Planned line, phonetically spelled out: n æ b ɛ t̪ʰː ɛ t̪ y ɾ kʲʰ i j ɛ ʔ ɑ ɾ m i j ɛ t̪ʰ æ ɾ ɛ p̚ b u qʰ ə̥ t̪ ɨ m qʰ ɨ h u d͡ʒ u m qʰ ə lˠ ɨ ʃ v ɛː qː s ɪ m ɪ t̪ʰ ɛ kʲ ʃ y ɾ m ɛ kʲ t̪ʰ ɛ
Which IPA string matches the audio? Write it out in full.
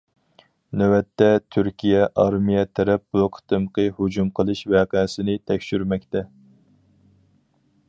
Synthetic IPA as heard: n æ w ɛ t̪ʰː ɛ t̪ʰ y ɾ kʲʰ i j ɛ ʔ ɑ ɾ m i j ɛ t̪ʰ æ ɾ ɛ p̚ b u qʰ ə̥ t̪ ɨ m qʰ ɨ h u d͡ʒ u m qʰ ə lˠ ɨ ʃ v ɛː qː s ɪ n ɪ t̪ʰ ɛ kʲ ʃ y ɾ m ɛ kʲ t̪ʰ ɛ